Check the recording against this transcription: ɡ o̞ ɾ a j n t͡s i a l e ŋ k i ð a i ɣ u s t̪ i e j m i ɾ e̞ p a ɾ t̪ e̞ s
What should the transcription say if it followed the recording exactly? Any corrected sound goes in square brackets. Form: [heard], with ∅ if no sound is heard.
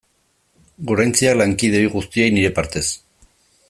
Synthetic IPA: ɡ o̞ ɾ a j n t͡s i a l [a] ŋ k i ð [e] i ɣ u s t̪ i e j [n] i ɾ e̞ p a ɾ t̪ e̞ s